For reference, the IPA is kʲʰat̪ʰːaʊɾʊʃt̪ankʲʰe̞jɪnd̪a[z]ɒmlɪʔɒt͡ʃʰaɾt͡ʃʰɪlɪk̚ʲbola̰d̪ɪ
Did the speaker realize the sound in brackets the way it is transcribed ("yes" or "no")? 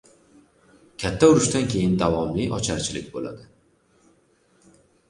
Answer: no